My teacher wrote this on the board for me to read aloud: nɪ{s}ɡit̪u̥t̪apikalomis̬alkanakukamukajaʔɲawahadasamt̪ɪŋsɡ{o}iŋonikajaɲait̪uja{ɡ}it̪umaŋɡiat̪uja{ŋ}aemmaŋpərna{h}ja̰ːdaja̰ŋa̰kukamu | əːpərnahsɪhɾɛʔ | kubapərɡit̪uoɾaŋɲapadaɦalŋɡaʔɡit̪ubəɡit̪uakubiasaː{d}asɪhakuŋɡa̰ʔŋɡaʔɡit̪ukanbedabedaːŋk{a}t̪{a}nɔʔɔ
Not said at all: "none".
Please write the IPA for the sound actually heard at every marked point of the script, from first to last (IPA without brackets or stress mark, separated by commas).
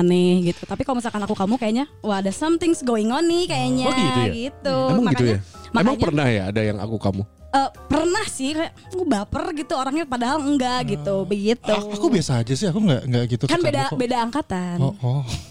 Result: h, o, ɡ, m, h, d͡ʒ, a, a